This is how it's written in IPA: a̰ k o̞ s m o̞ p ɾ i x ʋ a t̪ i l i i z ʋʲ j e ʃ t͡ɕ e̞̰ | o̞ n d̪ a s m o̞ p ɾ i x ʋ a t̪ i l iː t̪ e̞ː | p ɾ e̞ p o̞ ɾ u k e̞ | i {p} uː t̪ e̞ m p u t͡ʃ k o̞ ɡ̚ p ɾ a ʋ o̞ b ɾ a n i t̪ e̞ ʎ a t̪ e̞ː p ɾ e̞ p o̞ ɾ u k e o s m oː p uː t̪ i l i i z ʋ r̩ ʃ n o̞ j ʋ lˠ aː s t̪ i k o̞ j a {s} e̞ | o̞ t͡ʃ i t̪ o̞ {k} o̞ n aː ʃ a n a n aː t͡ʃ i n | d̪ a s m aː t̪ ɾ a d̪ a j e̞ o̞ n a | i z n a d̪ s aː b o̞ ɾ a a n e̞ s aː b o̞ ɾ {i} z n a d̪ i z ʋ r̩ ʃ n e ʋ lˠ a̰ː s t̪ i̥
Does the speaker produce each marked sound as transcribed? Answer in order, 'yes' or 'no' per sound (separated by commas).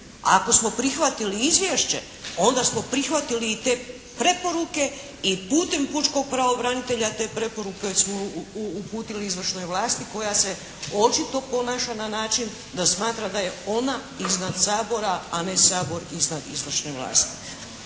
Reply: yes, yes, no, yes